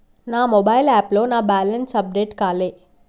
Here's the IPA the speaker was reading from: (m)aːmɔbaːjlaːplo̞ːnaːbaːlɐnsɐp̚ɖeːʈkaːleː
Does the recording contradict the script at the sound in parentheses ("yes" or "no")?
yes